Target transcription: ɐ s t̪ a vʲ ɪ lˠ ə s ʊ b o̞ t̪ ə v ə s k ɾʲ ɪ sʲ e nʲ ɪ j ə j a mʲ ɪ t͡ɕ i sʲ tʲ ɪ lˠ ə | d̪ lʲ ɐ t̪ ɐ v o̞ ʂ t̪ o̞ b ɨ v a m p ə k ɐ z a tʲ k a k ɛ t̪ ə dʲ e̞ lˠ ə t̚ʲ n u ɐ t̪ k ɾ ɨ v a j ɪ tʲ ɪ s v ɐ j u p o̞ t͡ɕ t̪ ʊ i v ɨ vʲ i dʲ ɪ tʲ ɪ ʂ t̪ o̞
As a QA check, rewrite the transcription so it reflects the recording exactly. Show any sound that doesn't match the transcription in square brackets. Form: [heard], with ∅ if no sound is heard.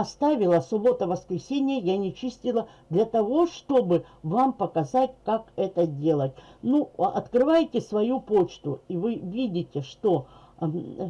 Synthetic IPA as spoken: ɐ s t̪ a vʲ ɪ lˠ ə s ʊ b o̞ t̪ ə v ə s k ɾʲ ɪ sʲ e nʲ ɪ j ə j a [nʲ] ɪ t͡ɕ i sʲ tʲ ɪ lˠ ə | d̪ lʲ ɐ t̪ ɐ v o̞ ʂ t̪ o̞ b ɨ v a m p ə k ɐ z a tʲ k a k ɛ t̪ ə dʲ e̞ lˠ ə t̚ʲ n u ɐ t̪ k ɾ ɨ v a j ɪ tʲ ɪ s v ɐ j u p o̞ t͡ɕ t̪ ʊ i v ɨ vʲ i dʲ ɪ tʲ ɪ ʂ t̪ o̞